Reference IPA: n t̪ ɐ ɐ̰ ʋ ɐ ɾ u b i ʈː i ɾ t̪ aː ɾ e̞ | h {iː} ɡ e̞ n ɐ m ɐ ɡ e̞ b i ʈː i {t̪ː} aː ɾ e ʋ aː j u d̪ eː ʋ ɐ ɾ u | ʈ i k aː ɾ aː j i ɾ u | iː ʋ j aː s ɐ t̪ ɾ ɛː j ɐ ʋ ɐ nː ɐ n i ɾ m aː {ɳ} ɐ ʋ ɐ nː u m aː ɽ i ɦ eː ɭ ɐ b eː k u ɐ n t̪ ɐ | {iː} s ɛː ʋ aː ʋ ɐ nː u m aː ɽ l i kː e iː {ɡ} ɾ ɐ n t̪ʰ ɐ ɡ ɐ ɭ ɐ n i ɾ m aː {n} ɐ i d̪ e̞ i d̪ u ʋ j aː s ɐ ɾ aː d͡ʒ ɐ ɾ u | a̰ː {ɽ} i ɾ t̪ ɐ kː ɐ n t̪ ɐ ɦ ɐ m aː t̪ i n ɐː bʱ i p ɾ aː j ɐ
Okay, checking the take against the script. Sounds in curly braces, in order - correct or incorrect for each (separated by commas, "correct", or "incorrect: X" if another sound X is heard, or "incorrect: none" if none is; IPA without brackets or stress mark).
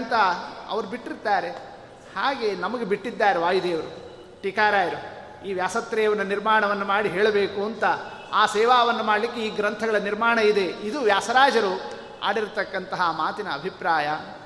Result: incorrect: aː, incorrect: d̪ː, correct, incorrect: aː, correct, incorrect: ɳ, correct